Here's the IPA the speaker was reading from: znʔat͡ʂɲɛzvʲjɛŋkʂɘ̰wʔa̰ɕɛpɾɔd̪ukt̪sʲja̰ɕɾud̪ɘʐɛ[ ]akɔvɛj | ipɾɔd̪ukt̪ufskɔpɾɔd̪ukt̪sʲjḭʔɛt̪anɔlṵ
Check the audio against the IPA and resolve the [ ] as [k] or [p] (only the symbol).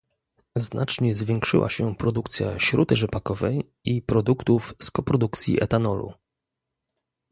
p